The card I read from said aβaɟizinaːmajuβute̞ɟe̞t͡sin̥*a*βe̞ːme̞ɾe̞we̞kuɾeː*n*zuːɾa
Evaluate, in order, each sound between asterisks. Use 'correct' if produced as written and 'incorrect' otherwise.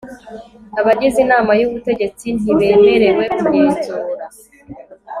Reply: incorrect, correct

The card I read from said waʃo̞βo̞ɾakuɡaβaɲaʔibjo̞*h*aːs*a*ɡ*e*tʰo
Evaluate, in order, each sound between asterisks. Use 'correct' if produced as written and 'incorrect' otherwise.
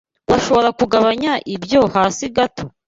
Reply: correct, incorrect, incorrect

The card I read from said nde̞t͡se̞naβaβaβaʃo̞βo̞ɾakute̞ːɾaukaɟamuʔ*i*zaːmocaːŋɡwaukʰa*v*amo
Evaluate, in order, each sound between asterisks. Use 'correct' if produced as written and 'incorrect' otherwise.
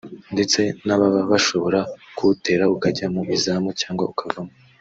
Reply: correct, correct

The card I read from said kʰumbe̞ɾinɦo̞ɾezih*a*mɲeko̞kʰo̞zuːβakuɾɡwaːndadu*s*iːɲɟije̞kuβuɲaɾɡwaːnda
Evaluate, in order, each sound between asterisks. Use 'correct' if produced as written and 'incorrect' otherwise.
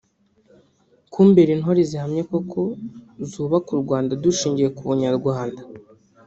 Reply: correct, incorrect

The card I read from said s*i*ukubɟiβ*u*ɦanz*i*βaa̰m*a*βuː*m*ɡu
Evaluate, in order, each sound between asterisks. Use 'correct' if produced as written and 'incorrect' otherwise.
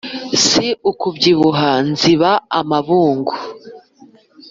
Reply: correct, correct, correct, correct, incorrect

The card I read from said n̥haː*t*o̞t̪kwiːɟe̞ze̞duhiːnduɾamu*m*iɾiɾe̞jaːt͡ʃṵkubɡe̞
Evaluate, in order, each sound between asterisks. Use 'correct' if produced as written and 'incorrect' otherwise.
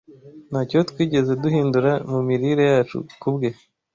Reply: incorrect, correct

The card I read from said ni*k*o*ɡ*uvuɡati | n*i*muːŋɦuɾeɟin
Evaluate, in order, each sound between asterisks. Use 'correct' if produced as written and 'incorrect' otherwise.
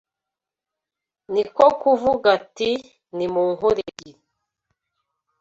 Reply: correct, incorrect, correct

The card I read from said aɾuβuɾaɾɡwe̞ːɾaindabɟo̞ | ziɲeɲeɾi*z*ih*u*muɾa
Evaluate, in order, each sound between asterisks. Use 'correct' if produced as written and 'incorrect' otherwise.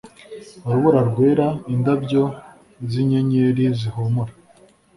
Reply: correct, incorrect

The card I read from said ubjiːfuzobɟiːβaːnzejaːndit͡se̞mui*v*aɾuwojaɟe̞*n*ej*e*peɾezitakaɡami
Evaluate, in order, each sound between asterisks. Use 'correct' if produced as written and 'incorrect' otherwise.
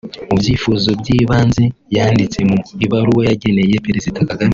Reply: incorrect, correct, correct

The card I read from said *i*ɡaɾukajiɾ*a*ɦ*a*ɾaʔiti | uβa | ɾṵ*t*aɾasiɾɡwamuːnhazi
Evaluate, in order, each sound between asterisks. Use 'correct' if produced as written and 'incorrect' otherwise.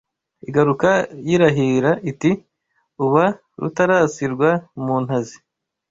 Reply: correct, correct, incorrect, correct

